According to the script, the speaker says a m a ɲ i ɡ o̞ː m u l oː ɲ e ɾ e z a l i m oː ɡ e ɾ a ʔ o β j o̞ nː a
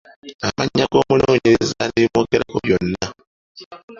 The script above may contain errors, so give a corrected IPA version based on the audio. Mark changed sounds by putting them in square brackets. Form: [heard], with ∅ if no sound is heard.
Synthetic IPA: a m a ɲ [a] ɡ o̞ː m u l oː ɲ e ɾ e z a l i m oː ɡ e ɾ a [k] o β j o̞ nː a